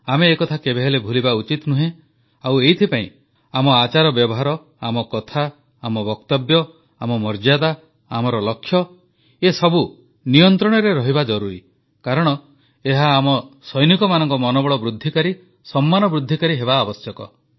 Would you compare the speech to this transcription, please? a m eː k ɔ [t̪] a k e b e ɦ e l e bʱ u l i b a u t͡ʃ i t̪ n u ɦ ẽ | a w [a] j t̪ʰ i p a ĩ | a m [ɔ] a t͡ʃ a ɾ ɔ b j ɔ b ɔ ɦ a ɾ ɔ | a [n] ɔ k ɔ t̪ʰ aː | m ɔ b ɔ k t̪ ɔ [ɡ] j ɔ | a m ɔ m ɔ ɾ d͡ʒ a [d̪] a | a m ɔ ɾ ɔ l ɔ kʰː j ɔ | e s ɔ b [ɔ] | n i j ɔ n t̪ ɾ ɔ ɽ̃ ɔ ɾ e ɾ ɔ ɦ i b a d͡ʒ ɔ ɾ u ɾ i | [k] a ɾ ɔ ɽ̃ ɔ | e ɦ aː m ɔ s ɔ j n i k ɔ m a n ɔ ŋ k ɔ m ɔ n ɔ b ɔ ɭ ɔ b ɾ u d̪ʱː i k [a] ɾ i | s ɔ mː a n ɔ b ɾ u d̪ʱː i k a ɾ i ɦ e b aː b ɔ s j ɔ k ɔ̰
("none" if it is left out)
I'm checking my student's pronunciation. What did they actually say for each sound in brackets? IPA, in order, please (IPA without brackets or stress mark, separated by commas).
t̪ʰ, e, ɔ, m, b, d̪, u, k, a